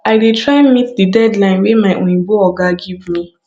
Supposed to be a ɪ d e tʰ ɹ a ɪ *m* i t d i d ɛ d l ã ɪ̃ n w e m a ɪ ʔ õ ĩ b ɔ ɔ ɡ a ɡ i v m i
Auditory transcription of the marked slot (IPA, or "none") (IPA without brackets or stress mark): m